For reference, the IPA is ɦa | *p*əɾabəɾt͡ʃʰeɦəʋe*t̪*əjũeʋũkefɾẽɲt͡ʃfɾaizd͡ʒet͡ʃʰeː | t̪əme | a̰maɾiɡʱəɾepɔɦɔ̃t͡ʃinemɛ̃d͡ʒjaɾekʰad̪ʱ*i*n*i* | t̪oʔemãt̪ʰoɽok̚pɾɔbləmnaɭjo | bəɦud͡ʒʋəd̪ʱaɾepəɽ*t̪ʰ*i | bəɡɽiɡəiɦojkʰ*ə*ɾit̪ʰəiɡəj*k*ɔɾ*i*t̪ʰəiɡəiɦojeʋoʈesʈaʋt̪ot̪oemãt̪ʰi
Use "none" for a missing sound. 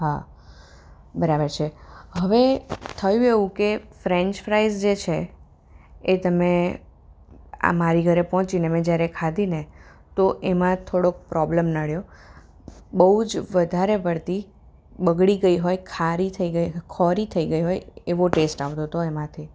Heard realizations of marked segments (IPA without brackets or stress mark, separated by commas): b, t̪ʰ, i, e, t̪, a, kʰ, i